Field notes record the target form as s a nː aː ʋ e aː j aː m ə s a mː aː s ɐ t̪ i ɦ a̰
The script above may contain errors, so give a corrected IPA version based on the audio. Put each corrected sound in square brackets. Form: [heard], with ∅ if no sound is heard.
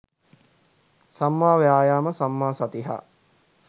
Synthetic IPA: s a [mː] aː ʋ e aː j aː m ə s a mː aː s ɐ t̪ i ɦ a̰